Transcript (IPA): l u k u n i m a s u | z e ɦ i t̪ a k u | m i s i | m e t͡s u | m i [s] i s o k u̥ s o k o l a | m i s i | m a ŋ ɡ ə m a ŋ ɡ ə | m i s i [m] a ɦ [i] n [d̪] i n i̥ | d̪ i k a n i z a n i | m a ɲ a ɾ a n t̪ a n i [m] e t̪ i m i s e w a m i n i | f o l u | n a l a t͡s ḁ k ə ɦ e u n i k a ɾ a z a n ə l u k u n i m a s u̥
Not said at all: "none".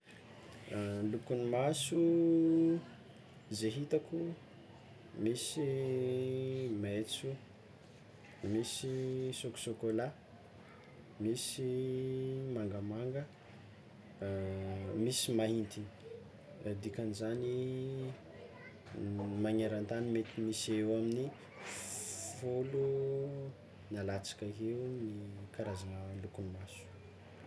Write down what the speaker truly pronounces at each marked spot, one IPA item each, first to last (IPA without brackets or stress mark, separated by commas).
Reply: s, m, i, t̪, m